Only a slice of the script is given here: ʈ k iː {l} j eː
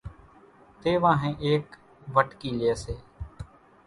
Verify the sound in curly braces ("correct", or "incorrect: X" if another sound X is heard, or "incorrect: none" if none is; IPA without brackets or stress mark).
correct